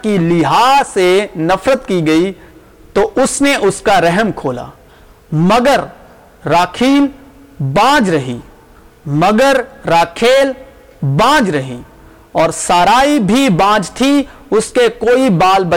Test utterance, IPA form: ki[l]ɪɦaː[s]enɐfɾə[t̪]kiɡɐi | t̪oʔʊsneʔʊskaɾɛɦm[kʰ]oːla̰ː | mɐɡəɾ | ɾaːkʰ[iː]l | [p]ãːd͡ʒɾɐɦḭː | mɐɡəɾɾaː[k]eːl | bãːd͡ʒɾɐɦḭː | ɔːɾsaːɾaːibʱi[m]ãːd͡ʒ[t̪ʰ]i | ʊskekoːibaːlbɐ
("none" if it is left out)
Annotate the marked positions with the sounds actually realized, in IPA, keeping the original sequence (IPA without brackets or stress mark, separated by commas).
l, s, t̪, kʰ, iː, b, kʰ, b, t̪ʰ